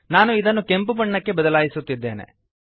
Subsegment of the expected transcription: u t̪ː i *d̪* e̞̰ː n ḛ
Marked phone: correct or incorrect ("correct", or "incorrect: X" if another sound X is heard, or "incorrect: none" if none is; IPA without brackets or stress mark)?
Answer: incorrect: d̪ː